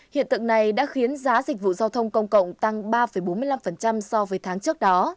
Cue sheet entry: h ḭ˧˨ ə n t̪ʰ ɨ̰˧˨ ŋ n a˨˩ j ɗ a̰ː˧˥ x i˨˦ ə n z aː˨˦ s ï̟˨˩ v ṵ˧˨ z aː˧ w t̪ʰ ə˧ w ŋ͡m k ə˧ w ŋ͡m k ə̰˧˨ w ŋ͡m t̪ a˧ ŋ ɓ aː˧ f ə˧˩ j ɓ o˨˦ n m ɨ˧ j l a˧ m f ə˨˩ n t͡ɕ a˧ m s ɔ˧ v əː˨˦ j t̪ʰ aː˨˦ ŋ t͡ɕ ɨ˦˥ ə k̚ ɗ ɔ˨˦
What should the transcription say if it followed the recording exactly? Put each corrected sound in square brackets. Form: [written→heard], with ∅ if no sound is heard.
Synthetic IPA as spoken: h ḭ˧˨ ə n [t̪ʰ→t̪] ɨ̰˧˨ ŋ n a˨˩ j ɗ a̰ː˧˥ x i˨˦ ə n z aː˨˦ [s→z] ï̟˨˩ v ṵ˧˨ z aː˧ w t̪ʰ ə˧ w ŋ͡m k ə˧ w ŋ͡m k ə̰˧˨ w ŋ͡m t̪ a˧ ŋ ɓ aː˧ f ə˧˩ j ɓ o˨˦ n m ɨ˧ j l a˧ m f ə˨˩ n t͡ɕ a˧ m s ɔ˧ v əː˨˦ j t̪ʰ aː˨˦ ŋ t͡ɕ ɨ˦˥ ə k̚ ɗ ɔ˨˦